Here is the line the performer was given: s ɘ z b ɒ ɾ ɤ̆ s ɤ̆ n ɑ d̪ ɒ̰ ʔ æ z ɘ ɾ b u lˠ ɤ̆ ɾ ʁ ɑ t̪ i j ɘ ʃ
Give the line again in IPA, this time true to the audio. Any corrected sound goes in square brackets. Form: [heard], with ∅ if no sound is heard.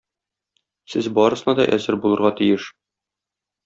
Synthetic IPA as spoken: s ɘ z b ɒ ɾ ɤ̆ s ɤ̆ n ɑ d̪ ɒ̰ ʔ æ z ɘ ɾ b u lˠ ɤ̆ ɾ ʁ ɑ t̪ i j ɘ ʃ